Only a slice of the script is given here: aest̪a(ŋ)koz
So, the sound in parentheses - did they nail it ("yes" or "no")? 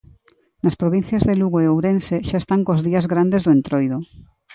yes